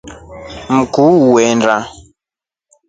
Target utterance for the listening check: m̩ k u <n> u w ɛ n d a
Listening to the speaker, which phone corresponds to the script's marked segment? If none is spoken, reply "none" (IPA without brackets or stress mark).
none